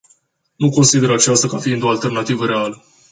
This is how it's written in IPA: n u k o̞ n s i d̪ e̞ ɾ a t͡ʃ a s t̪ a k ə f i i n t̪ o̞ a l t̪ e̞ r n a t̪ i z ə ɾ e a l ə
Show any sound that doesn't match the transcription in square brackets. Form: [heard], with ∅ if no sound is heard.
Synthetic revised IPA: n u k o̞ n s i d̪ e̞ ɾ a t͡ʃ a s t̪ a k [a] f i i n [d̪] o̞ a l t̪ e̞ r n a t̪ i [v] ə ɾ e a l ə